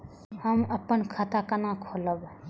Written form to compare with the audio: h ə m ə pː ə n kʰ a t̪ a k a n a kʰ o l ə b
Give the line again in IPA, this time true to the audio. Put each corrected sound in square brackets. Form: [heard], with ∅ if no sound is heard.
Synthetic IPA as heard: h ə m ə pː ə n kʰ a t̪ a k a n a kʰ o l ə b